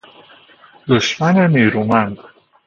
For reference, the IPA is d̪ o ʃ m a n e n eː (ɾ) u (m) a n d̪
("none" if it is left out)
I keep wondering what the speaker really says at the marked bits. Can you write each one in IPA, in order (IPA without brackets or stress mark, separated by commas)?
ɾ, m